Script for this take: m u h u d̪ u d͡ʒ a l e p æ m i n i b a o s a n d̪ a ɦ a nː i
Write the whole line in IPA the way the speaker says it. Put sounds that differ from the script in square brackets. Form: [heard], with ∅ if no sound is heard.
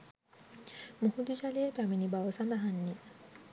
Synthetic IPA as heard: m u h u d̪ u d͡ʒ a l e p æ m i n i b a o s a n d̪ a ɦ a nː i